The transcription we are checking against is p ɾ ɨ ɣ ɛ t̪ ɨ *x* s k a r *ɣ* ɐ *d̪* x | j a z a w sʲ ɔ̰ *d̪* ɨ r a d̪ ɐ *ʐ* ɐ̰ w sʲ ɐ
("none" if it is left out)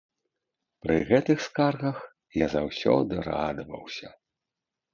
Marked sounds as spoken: x, ɣ, none, d̪, v

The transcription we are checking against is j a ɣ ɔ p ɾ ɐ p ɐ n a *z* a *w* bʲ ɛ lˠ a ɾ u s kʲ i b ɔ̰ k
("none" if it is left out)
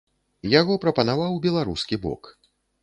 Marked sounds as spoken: v, w

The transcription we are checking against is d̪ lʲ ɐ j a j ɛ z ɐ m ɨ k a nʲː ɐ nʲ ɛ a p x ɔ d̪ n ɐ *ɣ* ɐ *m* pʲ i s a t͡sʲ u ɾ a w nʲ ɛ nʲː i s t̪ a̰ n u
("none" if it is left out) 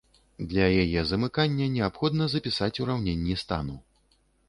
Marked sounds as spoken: z, none

